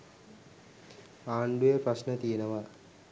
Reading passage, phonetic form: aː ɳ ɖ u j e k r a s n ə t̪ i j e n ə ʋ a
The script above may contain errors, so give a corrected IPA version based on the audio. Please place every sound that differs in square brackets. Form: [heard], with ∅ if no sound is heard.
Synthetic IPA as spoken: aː ɳ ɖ u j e [p] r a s n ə t̪ i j e n ə ʋ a